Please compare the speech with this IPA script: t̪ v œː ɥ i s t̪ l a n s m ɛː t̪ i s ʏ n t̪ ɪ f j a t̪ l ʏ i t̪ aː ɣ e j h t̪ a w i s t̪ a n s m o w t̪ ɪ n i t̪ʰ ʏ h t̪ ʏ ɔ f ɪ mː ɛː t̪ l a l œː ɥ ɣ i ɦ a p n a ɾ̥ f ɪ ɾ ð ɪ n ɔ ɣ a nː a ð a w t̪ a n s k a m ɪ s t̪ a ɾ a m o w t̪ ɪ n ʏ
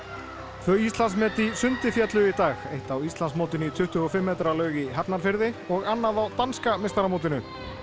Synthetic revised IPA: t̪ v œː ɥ i s t̪ l a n s m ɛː t̪ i s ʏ n t̪ ɪ f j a t̪ l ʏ i t̪ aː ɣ e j h t̪ a w i s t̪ a n s m o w t̪ ɪ n i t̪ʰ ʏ h t̪ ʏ ɔ f ɪ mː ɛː t̪ ɾ a l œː ɥ ɣ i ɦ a p n a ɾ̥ f ɪ ɾ ð ɪ ɔ ɣ a nː a ð a w t̪ a n s k a m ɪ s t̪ a ɾ a m o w t̪ ɪ n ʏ